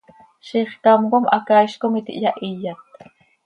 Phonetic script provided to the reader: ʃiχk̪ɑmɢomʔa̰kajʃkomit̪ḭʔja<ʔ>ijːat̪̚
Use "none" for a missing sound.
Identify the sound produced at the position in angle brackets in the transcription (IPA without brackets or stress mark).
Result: ʔ